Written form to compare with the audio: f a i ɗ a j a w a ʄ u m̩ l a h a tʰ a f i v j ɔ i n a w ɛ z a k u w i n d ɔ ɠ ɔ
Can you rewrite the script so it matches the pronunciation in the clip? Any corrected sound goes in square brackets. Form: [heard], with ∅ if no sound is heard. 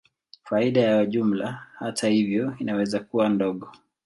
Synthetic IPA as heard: f a i ɗ a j a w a ʄ u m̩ l a h a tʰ a [h] i v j ɔ i n a w ɛ z a k u w [a] n d ɔ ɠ ɔ